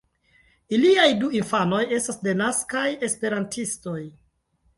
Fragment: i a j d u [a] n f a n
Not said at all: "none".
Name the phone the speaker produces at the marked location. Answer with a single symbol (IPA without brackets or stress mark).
i